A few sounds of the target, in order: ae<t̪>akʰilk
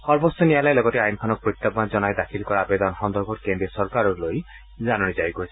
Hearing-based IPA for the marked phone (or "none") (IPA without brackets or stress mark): d̪